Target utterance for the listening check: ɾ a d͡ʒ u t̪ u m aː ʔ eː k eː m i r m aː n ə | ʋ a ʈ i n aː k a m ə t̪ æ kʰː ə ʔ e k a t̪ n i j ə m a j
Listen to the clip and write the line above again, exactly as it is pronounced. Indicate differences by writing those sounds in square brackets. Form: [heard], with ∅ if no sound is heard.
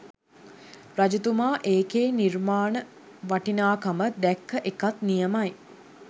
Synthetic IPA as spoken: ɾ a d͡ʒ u t̪ u m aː ʔ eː k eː [n] i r m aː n ə | ʋ a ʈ i n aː k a m ə [d̪] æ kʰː ə ʔ e k a t̪ n i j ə m a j